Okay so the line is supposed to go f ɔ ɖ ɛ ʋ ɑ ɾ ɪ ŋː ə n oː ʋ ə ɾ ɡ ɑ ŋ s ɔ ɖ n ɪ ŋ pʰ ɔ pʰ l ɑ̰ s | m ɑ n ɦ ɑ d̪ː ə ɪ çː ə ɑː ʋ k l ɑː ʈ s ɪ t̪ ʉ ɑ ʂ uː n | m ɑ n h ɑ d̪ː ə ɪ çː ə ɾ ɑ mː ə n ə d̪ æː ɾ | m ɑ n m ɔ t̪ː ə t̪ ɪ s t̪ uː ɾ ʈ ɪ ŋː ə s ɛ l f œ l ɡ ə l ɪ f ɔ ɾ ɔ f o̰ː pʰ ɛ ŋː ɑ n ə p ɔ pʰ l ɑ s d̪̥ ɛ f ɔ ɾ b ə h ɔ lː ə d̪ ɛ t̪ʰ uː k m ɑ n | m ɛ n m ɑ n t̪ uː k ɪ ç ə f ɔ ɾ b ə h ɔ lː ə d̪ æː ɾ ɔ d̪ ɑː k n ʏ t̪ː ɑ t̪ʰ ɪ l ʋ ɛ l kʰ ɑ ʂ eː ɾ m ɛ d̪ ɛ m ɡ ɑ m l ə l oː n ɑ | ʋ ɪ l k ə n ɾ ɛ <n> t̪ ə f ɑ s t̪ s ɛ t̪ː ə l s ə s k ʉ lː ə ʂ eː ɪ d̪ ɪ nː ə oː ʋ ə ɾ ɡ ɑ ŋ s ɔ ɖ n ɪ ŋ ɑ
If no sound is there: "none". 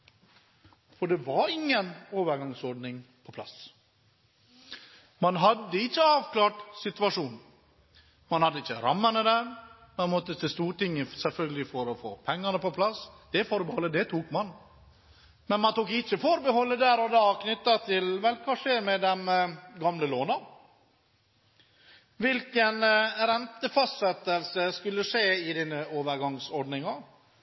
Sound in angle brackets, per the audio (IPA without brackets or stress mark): n